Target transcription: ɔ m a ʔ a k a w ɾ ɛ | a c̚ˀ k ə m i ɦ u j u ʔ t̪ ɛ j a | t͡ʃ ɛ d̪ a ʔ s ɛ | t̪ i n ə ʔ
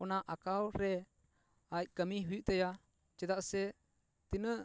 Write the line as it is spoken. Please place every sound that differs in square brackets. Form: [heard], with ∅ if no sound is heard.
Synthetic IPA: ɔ [n] a ʔ a k a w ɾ ɛ | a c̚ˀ k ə m i ɦ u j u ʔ t̪ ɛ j a | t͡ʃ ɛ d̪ a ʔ s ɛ | t̪ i n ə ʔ